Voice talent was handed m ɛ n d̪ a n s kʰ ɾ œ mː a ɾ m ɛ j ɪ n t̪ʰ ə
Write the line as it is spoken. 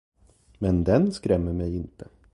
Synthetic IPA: m ɛ n d̪ ɛ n s k ɾ ɛ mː ə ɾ m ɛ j ɪ n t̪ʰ ə